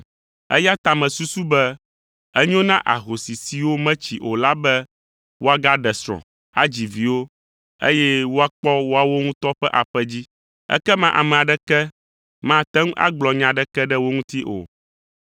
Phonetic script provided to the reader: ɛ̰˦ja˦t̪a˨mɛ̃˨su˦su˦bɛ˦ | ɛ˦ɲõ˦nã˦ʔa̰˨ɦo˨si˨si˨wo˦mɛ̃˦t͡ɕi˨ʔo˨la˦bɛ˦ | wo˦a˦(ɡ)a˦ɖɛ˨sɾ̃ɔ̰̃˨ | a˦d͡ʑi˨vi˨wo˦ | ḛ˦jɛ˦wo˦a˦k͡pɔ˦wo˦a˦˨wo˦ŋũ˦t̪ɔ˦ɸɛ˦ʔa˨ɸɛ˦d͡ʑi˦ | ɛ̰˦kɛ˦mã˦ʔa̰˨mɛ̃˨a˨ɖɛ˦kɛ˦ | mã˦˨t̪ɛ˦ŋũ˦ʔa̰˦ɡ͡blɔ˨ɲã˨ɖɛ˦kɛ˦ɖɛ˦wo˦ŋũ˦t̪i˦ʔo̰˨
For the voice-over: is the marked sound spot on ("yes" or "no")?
yes